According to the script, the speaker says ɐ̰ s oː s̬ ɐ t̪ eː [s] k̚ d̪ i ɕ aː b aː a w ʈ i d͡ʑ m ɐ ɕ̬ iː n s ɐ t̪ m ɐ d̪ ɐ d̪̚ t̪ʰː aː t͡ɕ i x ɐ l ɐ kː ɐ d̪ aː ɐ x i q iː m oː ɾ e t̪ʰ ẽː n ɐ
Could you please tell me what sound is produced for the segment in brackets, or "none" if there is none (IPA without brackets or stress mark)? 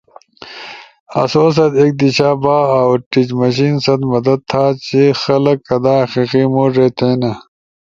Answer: none